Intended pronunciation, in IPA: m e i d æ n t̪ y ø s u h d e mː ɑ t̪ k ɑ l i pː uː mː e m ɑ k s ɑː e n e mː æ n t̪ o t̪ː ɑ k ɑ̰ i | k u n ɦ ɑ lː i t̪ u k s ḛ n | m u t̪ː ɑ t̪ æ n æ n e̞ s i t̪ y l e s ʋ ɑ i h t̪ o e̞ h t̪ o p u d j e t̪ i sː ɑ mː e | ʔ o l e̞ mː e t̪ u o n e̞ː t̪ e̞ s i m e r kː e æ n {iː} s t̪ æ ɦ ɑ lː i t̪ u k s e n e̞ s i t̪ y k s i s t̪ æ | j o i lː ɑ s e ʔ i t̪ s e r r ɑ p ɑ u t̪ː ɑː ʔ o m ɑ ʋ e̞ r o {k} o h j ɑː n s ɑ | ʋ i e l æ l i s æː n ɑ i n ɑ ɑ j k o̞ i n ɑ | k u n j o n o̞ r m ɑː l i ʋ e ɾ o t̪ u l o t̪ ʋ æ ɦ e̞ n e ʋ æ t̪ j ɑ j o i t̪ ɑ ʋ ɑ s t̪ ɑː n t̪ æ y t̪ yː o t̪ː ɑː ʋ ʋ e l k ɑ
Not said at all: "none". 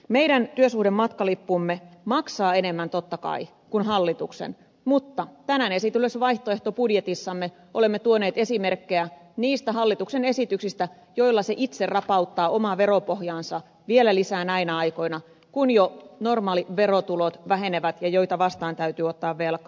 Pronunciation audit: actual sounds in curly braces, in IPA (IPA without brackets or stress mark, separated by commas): iː, p